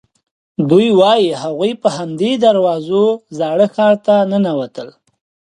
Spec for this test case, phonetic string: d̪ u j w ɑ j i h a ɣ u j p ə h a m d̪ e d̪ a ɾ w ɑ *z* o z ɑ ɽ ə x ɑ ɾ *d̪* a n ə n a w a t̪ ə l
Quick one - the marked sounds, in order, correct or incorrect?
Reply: correct, incorrect

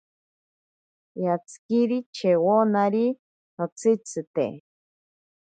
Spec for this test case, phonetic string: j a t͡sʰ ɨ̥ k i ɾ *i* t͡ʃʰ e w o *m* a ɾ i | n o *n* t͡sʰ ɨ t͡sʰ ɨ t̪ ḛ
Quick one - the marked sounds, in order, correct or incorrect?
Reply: correct, incorrect, incorrect

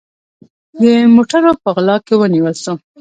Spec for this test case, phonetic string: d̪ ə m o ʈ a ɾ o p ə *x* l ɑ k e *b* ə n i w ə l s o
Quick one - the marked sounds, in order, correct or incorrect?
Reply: incorrect, incorrect

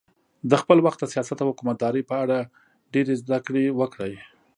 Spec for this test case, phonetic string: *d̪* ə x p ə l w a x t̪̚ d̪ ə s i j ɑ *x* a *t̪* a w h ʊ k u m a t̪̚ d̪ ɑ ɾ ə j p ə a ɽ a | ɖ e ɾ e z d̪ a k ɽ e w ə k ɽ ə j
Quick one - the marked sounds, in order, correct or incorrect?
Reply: correct, incorrect, correct

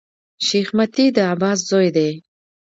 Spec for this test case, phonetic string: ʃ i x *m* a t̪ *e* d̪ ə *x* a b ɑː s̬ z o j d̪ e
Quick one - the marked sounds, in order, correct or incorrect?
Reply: correct, incorrect, incorrect

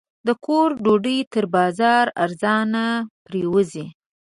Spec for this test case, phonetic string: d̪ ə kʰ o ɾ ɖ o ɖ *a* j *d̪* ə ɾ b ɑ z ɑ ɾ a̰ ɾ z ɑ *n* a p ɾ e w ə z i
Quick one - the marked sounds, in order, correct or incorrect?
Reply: incorrect, incorrect, correct

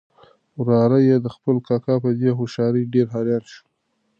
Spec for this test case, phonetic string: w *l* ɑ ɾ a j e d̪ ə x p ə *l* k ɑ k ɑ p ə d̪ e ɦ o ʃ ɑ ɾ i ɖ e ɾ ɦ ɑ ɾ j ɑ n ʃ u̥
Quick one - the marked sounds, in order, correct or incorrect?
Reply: incorrect, correct

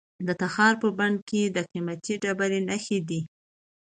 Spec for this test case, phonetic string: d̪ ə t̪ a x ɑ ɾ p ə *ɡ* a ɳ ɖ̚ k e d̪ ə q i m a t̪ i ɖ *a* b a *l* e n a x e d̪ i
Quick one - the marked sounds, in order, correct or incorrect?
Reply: incorrect, correct, incorrect

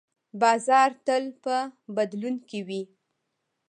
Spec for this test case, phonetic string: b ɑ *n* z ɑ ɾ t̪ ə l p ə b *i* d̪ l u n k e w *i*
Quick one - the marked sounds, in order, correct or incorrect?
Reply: incorrect, incorrect, correct

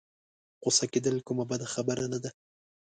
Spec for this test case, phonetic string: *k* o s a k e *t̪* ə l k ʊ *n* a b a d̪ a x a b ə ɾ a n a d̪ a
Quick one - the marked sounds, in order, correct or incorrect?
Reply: incorrect, incorrect, incorrect

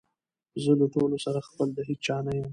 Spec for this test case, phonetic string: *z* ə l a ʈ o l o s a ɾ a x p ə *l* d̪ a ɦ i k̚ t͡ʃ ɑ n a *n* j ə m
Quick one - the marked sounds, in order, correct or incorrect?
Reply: correct, correct, incorrect

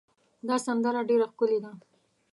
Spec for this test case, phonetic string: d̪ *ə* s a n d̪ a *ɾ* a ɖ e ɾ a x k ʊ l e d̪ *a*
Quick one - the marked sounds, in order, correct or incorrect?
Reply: incorrect, correct, correct

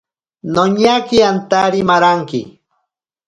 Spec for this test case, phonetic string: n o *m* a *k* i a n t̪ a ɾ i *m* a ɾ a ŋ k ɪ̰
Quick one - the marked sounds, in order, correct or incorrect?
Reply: incorrect, correct, correct

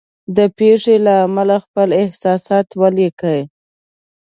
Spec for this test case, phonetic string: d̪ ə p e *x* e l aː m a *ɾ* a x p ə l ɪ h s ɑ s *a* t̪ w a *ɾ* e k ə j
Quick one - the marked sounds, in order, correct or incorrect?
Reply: incorrect, incorrect, incorrect, incorrect

